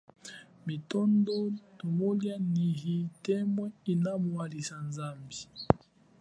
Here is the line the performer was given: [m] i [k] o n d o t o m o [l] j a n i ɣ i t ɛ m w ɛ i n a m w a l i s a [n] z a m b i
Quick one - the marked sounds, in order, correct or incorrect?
correct, incorrect, correct, correct

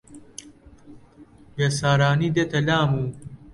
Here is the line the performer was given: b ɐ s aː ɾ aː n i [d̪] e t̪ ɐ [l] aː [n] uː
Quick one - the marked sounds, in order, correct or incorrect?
correct, correct, incorrect

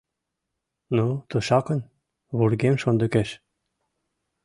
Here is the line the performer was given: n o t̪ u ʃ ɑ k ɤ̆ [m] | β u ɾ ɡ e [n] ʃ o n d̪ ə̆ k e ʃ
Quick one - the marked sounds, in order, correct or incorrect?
incorrect, incorrect

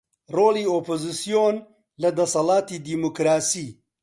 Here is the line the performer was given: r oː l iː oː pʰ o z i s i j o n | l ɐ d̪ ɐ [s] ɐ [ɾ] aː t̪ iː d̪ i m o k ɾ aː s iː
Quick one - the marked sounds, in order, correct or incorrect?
correct, incorrect

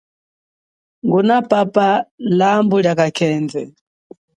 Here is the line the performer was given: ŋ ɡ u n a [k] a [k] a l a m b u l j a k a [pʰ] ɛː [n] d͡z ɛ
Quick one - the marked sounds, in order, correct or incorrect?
incorrect, incorrect, incorrect, correct

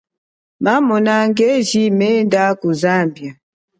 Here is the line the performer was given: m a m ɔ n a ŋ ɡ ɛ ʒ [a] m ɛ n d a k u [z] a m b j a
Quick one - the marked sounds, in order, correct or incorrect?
incorrect, correct

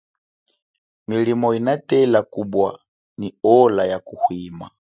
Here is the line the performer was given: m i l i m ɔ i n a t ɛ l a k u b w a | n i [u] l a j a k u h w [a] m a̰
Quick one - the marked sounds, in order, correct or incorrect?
incorrect, incorrect

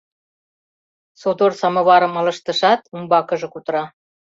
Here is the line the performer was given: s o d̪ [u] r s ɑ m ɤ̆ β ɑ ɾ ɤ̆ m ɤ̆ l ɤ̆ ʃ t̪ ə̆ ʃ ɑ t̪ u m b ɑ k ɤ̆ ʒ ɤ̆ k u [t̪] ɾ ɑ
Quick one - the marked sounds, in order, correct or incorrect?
incorrect, correct

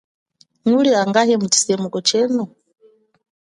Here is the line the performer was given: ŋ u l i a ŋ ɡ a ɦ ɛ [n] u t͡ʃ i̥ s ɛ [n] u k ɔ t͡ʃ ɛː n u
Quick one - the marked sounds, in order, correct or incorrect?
incorrect, incorrect

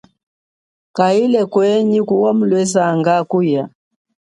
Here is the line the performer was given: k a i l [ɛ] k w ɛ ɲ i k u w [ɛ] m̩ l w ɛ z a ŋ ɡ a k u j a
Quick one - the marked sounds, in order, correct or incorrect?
correct, incorrect

